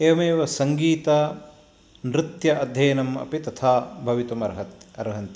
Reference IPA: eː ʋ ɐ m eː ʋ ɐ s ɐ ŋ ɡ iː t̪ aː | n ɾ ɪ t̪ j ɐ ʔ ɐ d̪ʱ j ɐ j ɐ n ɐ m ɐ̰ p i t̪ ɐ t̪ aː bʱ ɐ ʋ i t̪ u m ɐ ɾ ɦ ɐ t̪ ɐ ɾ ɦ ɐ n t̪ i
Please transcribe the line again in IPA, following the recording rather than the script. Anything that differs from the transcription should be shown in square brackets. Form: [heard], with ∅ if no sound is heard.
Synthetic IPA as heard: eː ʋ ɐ m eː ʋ ɐ s ɐ ŋ ɡ iː t̪ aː | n ɾ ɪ t̪ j ɐ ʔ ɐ d̪ʱ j ɐ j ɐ n ɐ m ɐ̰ p i t̪ ɐ [t̪ʰ] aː bʱ ɐ ʋ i t̪ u m ɐ ɾ ɦ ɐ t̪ ɐ ɾ ɦ ɐ n t̪ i